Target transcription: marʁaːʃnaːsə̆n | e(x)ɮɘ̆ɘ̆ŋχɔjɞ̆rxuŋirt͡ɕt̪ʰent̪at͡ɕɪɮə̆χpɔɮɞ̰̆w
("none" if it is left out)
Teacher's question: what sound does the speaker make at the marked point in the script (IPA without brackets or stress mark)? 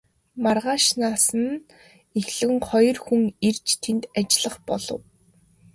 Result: x